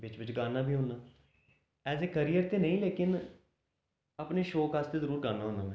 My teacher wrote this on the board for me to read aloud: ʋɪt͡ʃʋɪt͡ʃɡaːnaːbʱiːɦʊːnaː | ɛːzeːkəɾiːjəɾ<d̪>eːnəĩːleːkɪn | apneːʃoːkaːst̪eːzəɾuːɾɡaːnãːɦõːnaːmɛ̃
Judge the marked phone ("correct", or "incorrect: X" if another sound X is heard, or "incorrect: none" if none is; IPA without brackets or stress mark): incorrect: t̪